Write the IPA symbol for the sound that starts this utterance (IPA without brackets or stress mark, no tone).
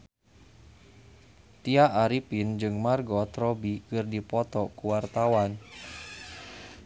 t̪